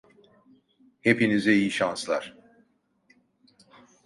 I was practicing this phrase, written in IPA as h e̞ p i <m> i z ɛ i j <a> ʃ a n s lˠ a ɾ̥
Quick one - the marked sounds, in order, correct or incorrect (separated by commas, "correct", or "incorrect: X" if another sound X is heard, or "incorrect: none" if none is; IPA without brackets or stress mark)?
incorrect: n, incorrect: i